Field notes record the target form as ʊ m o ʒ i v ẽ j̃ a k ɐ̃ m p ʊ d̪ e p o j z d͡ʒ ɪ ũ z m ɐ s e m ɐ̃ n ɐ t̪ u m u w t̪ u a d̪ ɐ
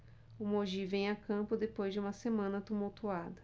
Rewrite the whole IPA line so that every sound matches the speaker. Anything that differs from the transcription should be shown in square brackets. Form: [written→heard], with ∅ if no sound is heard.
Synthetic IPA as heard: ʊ m o ʒ i v ẽ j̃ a k ɐ̃ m p ʊ d̪ e p o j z d͡ʒ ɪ ũ [z→∅] m ɐ s e m ɐ̃ n ɐ t̪ u m u w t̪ u a d̪ ɐ